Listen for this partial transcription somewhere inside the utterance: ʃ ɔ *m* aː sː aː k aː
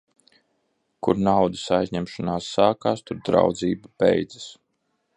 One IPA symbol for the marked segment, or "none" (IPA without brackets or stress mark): n